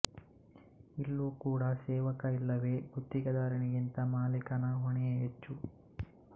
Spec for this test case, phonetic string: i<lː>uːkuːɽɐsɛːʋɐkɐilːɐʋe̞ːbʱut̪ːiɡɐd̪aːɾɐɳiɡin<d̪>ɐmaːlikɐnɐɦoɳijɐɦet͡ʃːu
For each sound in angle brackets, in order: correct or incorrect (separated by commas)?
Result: correct, incorrect